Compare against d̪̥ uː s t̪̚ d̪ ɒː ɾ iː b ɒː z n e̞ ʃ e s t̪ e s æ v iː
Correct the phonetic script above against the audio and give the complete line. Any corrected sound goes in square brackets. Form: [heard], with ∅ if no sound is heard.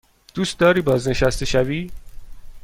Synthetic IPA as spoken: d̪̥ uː s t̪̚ d̪ ɒː ɾ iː b ɒː z n e̞ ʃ [æ] s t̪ e [ʃ] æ v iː

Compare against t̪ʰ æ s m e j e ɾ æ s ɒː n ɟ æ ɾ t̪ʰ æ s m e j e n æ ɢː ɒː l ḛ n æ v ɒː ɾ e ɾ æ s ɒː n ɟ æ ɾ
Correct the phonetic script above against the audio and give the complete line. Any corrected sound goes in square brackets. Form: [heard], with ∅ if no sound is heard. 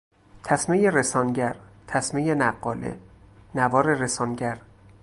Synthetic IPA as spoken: t̪ʰ æ s m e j e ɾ [e] s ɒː n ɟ æ ɾ t̪ʰ æ s m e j e n æ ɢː ɒː l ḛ n æ v ɒː ɾ e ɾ [e] s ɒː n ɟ æ ɾ

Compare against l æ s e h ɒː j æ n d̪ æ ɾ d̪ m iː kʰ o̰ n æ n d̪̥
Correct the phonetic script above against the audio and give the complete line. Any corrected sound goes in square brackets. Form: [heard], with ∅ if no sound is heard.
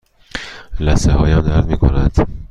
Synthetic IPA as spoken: l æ s e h ɒː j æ [m] d̪ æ ɾ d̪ m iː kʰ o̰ n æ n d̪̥

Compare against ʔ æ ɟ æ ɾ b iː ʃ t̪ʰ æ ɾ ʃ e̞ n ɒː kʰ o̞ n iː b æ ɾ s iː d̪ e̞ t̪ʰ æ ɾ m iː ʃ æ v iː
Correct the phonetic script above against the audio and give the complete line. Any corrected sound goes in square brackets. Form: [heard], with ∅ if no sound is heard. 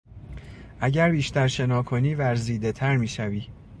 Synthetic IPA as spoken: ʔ æ ɟ æ ɾ b iː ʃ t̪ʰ æ ɾ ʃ e̞ n ɒː kʰ o̞ n iː [v] æ ɾ [z] iː d̪ e̞ t̪ʰ æ ɾ m iː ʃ æ v iː

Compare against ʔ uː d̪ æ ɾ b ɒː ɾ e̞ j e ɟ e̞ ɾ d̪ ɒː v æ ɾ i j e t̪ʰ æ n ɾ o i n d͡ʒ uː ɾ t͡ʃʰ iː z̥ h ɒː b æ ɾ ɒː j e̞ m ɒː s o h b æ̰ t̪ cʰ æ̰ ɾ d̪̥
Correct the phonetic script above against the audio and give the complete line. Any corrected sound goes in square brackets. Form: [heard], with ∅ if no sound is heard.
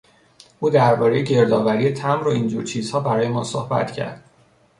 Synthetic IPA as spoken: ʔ uː d̪ æ ɾ b ɒː ɾ e̞ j e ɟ e̞ ɾ d̪ ɒː v æ ɾ i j e t̪ʰ æ [m] ɾ o i n d͡ʒ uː ɾ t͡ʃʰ iː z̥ h ɒː b æ ɾ ɒː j e̞ m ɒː s o h b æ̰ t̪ cʰ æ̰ ɾ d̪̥

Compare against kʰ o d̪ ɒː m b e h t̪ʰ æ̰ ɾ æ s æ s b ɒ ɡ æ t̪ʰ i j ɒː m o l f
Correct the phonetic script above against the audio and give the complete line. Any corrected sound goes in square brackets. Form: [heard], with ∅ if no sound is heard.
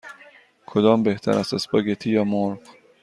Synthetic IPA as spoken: kʰ o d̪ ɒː m b e h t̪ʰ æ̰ ɾ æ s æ s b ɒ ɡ [e] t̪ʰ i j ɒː m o [ɾ] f

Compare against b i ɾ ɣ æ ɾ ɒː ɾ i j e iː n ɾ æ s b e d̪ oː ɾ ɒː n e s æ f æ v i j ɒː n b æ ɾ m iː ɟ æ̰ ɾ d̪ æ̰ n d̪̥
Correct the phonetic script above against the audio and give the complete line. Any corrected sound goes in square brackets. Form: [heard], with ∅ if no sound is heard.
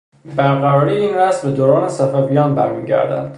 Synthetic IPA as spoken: b [æ] ɾ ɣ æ ɾ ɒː ɾ i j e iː n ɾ æ s b e d̪ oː ɾ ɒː n e s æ f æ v i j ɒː n b æ ɾ m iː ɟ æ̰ ɾ d̪ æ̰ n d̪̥

